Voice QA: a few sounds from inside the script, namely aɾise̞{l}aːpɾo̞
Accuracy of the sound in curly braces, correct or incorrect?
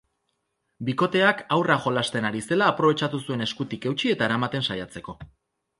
correct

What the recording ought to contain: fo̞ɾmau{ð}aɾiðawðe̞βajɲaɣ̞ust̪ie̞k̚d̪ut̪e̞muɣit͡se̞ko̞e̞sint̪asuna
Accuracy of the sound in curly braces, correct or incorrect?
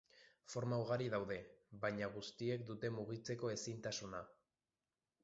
incorrect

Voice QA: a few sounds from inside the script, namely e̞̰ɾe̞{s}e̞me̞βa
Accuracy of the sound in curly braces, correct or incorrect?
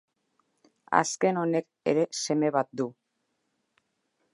correct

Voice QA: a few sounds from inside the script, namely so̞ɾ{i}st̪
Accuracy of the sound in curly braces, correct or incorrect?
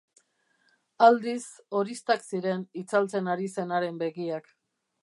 correct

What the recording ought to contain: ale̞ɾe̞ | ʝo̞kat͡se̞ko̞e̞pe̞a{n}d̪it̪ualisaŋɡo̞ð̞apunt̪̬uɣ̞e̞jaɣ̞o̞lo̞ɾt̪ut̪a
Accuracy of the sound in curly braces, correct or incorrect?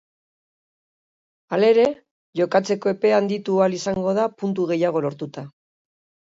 correct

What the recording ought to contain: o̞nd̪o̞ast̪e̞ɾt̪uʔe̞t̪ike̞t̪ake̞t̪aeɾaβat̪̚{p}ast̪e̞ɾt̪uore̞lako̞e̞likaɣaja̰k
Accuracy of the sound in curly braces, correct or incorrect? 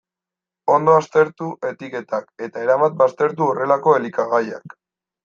incorrect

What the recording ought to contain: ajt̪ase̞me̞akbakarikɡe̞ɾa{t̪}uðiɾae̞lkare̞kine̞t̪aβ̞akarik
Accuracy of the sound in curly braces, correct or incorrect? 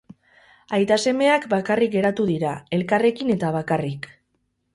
correct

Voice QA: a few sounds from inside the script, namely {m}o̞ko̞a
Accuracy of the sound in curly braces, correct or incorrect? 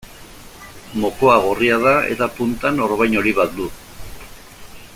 correct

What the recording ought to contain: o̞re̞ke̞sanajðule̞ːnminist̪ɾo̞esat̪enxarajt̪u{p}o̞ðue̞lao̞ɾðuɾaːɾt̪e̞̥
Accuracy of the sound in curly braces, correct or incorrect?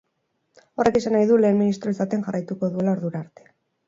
incorrect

